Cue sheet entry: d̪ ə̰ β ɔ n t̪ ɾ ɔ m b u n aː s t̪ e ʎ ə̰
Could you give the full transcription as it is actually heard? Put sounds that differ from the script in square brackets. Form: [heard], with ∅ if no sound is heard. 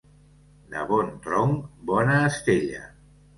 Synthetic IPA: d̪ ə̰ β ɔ n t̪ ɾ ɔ [ŋ] b [ɔ] n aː s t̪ e ʎ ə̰